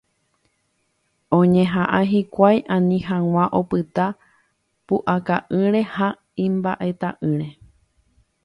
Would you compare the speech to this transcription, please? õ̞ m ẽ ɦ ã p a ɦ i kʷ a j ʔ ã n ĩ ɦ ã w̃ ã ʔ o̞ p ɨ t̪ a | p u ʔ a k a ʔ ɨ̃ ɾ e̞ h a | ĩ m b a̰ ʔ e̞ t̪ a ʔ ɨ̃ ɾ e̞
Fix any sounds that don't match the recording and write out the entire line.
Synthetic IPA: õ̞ ɲ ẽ ɦ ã ʔ a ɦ i kʷ a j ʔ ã n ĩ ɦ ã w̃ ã ʔ o̞ p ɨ t̪ a | p u ʔ a k a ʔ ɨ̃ ɾ e̞ h a | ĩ m b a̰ ʔ e̞ t̪ a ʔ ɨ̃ ɾ e̞